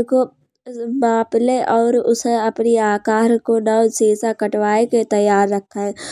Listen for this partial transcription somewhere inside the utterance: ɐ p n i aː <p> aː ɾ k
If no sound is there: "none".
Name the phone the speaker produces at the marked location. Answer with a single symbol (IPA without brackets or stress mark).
k